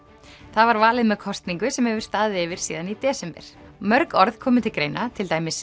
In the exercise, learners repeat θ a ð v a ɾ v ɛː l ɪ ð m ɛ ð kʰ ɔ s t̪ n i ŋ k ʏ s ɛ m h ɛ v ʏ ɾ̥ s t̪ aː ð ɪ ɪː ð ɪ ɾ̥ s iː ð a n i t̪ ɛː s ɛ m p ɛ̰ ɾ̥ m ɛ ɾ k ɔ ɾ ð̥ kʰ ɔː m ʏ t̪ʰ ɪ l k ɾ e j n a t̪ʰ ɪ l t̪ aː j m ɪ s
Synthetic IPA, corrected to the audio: θ a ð v a ɾ v aː l ɪ ð m ɛ ð kʰ ɔ s t̪ n i ŋ k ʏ s ɛ m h ɛ v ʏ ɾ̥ s t̪ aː ð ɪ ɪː v ɪ ɾ̥ s iː ð a n i t̪ ɛː s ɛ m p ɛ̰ ɾ̥ m œ ɾ k ɔ ɾ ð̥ kʰ ɔː m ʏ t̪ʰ ɪ l k ɾ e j n a t̪ʰ ɪ l t̪ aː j m ɪ s